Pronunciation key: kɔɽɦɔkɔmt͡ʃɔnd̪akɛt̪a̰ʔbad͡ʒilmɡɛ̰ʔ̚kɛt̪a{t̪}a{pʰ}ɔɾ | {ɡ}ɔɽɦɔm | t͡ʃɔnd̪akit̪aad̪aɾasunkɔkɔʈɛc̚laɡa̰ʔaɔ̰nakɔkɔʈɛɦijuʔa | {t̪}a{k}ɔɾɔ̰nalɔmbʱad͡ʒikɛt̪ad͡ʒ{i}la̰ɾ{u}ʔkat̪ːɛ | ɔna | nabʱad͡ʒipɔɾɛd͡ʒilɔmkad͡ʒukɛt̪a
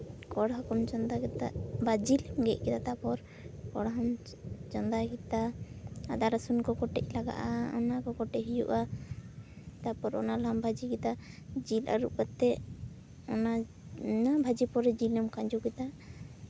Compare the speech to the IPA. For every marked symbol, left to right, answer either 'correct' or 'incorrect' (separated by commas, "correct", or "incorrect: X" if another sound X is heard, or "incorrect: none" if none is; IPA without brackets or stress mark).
correct, incorrect: p, incorrect: k, correct, incorrect: p, correct, correct